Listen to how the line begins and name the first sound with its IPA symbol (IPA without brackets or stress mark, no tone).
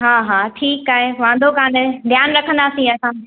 ɦ